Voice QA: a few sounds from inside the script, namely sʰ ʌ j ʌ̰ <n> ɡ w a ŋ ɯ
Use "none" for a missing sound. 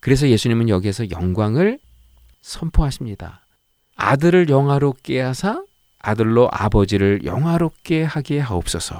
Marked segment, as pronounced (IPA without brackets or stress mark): ŋ